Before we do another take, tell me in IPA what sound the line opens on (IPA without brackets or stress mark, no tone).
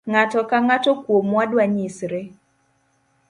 ŋ